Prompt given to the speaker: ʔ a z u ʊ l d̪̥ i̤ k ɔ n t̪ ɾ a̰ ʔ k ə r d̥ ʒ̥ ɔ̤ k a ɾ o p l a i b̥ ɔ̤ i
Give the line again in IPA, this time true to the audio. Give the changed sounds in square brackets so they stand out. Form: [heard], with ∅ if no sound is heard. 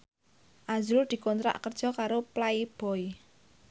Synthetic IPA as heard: ʔ a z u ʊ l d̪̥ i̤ k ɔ n t̪ ɾ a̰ ʔ k ə r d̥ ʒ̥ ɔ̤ k a ɾ o p l a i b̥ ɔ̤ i

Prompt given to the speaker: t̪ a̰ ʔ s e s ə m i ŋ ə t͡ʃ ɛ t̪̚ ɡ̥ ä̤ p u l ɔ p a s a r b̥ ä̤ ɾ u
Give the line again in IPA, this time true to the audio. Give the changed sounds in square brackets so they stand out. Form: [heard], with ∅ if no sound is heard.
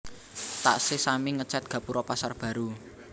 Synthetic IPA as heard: t̪ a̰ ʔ s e s [a] m i ŋ ə t͡ʃ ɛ t̪̚ ɡ̥ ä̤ p u [ɾ] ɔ p a s a r b̥ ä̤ ɾ u

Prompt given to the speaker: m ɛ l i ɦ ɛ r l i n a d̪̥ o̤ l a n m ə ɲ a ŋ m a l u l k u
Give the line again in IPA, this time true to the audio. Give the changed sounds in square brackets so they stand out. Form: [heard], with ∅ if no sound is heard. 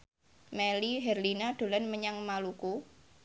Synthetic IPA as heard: m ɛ l i ɦ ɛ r l i n a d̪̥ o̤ l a n m ə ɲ a ŋ m a l u [∅] k u

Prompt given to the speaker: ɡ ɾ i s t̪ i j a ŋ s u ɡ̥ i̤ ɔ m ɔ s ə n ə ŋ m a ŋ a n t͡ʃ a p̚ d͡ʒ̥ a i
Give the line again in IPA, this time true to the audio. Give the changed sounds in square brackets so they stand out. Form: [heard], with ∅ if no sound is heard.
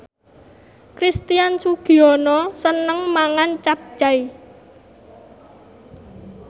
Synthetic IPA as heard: [k] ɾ i s t̪ i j a [n] s u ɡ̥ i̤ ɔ [n] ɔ s ə n ə ŋ m a ŋ a n t͡ʃ a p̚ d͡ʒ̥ a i

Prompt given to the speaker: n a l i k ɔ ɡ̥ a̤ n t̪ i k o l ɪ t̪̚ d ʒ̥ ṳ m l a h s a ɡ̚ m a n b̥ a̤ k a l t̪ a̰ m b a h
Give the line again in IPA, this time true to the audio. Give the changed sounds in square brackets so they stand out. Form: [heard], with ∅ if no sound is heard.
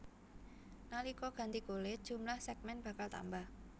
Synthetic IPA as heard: n a l i k ɔ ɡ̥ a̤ n t̪ i k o l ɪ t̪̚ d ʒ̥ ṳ m l a h s [ɛ] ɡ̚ m [ɛ] n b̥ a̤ k a l t̪ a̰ m b a h

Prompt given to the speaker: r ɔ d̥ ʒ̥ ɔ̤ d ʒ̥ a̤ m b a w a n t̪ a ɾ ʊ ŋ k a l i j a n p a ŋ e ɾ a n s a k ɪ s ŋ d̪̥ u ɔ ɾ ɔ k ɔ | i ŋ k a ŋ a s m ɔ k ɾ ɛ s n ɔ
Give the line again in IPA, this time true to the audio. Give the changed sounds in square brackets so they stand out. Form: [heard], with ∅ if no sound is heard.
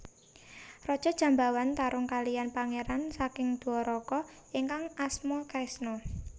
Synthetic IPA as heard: r ɔ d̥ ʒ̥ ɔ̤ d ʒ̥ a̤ m b a w a n t̪ a ɾ ʊ ŋ k a l i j a n p a ŋ e ɾ a n s a k ɪ [∅] ŋ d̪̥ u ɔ ɾ ɔ k ɔ | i ŋ k a ŋ a s m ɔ k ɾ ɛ s n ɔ

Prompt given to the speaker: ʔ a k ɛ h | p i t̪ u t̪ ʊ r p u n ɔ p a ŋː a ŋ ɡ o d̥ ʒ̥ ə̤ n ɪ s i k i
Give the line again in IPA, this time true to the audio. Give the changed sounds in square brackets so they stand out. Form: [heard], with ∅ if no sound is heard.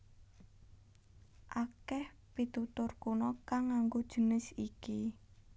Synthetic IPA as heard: ʔ a k ɛ h | p i t̪ u t̪ ʊ r [k] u n ɔ [k] a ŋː a ŋ ɡ o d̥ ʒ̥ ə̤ n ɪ s i k i

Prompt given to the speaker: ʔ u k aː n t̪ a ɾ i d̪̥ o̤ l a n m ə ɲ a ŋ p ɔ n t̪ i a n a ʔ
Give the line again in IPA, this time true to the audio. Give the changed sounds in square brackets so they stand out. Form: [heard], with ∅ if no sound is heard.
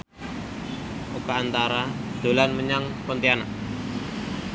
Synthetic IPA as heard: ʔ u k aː n t̪ a ɾ [a] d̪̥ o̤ l a n m ə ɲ a ŋ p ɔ n t̪ i a n a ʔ

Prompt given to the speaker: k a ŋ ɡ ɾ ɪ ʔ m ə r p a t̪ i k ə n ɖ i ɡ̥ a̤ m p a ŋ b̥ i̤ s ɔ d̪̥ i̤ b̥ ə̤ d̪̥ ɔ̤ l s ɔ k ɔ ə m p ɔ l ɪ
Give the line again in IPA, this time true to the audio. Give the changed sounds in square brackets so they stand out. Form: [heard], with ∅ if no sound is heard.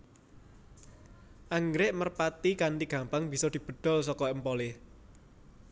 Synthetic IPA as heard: [ʔ] a ŋ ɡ ɾ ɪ ʔ m ə r p a t̪ i k [a] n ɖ i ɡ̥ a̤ m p a ŋ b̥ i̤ s ɔ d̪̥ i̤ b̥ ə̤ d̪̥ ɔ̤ l s ɔ k ɔ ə m p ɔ l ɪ

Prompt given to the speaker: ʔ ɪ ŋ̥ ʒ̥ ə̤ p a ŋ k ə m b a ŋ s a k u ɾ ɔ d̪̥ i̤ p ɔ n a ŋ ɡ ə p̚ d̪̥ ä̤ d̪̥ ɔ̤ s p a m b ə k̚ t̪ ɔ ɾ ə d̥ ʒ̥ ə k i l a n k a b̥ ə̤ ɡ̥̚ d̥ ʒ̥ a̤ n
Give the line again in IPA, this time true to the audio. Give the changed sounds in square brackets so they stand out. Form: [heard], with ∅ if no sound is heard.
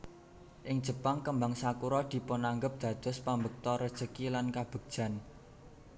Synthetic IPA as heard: ʔ ɪ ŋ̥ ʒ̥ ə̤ p a ŋ k ə m b a ŋ s a k u ɾ ɔ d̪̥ i̤ p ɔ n a ŋ ɡ ə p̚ d̪̥ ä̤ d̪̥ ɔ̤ s p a m b ə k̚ t̪ ɔ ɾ ə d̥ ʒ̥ ə k i l a n k a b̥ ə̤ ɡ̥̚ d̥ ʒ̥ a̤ n

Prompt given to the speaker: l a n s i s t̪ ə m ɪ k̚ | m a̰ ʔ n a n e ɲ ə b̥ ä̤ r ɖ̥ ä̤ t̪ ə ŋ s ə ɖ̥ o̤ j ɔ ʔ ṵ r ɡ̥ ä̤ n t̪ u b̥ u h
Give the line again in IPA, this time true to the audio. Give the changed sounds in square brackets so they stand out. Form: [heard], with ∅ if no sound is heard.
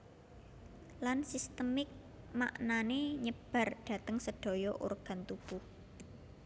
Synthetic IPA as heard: l a n s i s t̪ ə m ɪ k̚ | m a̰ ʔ n a n e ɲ ə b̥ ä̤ r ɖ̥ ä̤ t̪ ə ŋ s ə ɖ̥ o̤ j ɔ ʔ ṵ r ɡ̥ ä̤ n t̪ u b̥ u h

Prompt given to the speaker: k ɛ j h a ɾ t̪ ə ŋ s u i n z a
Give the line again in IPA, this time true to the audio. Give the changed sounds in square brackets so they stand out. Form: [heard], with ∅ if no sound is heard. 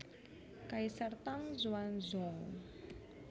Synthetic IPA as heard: k [a] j [s] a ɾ t̪ [a] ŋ [z] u [a] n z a

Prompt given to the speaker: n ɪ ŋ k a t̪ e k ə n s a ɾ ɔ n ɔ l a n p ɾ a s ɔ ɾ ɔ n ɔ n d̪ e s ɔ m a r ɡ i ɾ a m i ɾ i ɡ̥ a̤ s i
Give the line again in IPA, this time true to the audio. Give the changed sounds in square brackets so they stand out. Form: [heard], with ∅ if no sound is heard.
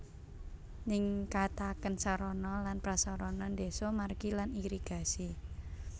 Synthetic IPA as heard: n ɪ ŋ k a t̪ [a] k ə n s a ɾ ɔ n ɔ l a n p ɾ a s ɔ ɾ ɔ n ɔ n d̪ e s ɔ m a r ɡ i [l] a [n] i ɾ i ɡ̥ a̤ s i

